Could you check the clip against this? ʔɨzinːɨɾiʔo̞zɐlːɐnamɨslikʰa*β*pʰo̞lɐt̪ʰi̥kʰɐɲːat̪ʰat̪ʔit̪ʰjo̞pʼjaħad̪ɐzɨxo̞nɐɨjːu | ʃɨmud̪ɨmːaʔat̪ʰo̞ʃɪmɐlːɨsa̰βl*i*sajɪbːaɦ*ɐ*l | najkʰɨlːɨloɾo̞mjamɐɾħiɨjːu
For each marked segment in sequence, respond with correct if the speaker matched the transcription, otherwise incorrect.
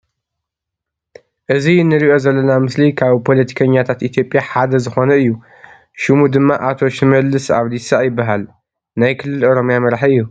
correct, correct, incorrect: a

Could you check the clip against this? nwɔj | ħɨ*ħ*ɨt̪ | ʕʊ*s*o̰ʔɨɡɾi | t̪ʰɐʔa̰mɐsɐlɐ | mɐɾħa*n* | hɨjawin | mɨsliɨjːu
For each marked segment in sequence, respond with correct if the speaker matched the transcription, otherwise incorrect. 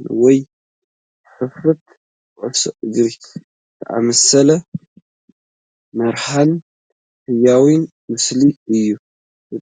incorrect: f, correct, correct

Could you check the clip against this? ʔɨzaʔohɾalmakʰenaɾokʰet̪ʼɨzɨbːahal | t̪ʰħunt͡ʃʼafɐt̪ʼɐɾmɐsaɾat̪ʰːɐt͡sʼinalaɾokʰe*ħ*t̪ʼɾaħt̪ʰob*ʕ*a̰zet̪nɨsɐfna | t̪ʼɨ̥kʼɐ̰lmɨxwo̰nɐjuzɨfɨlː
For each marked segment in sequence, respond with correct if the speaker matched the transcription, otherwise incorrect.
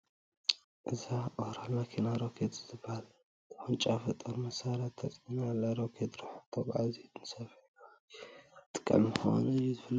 incorrect: none, correct

